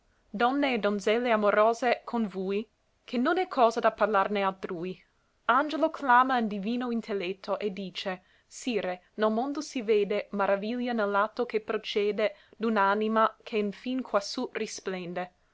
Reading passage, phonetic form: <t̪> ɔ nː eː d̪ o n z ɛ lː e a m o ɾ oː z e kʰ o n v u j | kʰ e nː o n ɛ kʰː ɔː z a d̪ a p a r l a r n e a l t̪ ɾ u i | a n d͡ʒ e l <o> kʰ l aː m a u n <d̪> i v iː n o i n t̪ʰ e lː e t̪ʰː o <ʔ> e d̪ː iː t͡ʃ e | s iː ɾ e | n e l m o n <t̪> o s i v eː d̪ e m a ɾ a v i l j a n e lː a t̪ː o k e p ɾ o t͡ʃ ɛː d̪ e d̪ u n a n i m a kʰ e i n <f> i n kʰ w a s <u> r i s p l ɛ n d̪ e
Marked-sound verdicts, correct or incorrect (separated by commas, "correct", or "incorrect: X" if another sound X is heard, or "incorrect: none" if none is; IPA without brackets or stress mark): incorrect: d̪, correct, correct, correct, incorrect: d̪, correct, correct